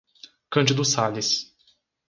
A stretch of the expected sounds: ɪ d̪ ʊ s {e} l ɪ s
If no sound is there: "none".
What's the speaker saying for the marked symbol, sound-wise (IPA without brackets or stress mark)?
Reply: a